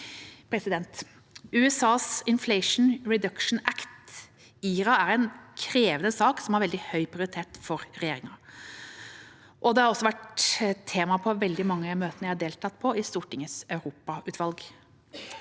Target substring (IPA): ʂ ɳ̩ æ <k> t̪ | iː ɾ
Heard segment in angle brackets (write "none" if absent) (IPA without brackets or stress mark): k